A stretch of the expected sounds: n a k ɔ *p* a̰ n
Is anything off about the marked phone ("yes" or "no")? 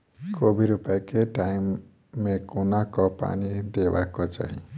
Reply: no